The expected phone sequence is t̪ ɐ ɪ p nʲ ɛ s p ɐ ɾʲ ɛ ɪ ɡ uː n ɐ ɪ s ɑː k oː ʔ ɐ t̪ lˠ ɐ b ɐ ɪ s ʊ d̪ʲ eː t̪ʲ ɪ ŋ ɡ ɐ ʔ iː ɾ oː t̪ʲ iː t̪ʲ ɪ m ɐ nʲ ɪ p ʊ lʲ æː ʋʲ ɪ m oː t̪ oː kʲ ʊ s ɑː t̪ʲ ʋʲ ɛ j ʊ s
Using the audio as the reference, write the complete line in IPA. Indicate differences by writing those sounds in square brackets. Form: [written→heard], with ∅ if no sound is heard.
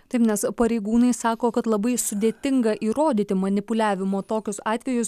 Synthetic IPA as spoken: t̪ ɐ ɪ p nʲ ɛ s p ɐ ɾʲ ɛ ɪ ɡ uː n ɐ ɪ s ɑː k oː [ʔ→k] ɐ t̪ lˠ ɐ b ɐ ɪ s ʊ d̪ʲ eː t̪ʲ ɪ ŋ ɡ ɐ ʔ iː ɾ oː [t̪ʲ→d̪ʲ] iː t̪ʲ ɪ m ɐ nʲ ɪ p ʊ lʲ æː ʋʲ ɪ m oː t̪ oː kʲ ʊ s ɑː t̪ʲ ʋʲ ɛ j ʊ s